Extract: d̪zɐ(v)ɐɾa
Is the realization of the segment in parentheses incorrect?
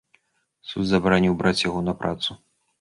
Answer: yes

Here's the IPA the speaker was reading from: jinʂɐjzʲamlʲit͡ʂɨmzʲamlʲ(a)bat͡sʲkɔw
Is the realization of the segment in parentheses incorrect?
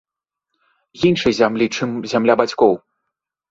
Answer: no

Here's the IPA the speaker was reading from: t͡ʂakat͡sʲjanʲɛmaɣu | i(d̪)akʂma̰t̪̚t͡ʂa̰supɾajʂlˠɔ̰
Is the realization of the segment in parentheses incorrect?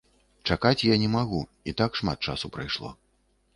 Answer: yes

